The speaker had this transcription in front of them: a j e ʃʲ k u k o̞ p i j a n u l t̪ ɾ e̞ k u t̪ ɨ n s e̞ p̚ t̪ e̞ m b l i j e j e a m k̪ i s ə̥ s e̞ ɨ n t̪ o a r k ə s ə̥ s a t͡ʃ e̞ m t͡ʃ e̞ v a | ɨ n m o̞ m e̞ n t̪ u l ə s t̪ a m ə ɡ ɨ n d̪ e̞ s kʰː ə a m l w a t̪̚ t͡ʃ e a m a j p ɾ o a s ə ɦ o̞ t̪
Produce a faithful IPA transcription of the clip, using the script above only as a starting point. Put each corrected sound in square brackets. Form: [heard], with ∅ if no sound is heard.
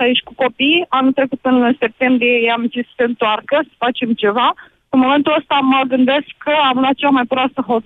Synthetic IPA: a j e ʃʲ k u k o̞ p i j a n u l t̪ ɾ e̞ k u t̪ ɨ n s e̞ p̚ t̪ e̞ m b [ɾ] i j e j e a m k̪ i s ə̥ s e̞ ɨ n t̪ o a r k ə s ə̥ [f] a t͡ʃ e̞ m t͡ʃ e̞ v a | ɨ n m o̞ m e̞ n t̪ u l ə s t̪ a m ə ɡ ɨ n d̪ e̞ s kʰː ə a m l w a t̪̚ t͡ʃ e a m a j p ɾ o a s ə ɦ o̞ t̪